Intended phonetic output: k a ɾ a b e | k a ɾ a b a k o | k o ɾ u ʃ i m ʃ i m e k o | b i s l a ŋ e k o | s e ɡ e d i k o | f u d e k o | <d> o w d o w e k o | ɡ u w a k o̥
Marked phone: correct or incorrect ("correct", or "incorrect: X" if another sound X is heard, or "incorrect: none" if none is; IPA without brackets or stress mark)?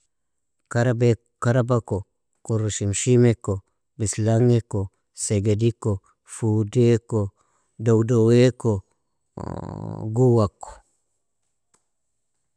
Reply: correct